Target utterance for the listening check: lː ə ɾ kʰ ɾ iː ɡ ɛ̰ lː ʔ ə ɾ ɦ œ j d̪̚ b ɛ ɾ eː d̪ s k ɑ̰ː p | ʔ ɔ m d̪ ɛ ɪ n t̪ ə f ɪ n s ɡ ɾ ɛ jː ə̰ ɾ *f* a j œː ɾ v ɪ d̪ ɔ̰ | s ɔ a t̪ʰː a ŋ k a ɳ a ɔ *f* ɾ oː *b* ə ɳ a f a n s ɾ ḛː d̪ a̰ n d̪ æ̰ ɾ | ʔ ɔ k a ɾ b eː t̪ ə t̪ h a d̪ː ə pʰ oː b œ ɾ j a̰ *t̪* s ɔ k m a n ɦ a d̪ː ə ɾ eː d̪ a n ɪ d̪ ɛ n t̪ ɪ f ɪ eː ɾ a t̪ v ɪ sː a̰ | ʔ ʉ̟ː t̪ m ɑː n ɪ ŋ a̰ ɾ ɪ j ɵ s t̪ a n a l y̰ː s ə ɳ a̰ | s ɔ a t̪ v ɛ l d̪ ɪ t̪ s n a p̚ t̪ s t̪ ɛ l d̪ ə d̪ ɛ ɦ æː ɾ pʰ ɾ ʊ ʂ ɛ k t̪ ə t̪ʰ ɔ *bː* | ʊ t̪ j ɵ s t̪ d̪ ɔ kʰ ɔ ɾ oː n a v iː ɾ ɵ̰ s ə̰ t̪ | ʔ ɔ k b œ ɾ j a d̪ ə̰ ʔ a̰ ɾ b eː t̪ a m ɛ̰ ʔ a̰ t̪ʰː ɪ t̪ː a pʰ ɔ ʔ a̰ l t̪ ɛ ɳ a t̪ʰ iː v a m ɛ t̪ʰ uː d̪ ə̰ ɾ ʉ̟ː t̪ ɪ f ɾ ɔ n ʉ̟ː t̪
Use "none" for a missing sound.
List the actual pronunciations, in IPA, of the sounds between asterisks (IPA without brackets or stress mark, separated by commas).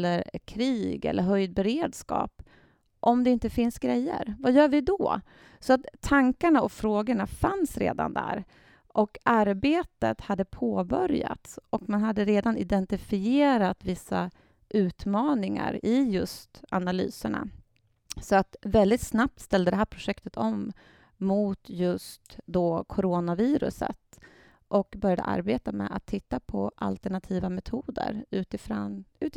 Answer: v, f, ɡ, t̪, mː